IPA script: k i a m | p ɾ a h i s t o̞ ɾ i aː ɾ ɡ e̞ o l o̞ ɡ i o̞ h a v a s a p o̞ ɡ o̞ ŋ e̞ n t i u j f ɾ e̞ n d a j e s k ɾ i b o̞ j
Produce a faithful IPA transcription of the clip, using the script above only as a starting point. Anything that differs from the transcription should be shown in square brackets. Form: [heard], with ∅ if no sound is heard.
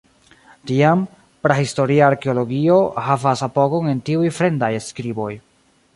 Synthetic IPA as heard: [t] i a m | p ɾ a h i s t o̞ ɾ i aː ɾ [k] e̞ o l o̞ ɡ i o̞ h a v a s a p o̞ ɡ o̞ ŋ e̞ n t i u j f ɾ e̞ n d a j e s k ɾ i b o̞ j

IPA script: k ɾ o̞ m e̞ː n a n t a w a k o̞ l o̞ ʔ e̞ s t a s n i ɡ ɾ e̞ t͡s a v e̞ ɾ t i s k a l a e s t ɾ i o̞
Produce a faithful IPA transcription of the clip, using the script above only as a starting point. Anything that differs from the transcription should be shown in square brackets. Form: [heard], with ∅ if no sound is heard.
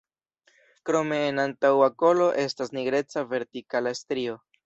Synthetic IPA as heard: k ɾ o̞ m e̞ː n a n t a w a k o̞ l o̞ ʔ e̞ s t a s n i ɡ ɾ e̞ t͡s a v e̞ ɾ t i [∅] k a l a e s t ɾ i o̞

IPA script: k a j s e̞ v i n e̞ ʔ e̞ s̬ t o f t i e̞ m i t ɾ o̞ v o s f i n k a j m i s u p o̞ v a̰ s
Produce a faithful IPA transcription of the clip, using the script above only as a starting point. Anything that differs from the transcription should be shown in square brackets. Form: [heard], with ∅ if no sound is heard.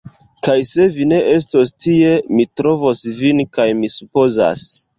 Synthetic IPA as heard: k a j s e̞ v i n e̞ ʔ e̞ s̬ t o [s] t i e̞ m i t ɾ o̞ v o s [v] i n k a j m i s u p o̞ [z] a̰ s

